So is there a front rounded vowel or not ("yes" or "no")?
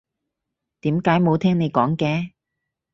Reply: no